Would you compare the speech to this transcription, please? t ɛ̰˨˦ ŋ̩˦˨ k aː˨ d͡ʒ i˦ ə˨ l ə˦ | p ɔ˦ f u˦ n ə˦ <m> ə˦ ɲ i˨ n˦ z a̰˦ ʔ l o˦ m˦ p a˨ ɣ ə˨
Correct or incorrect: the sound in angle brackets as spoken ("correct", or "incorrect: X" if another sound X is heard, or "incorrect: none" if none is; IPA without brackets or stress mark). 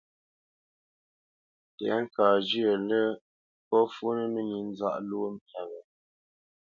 correct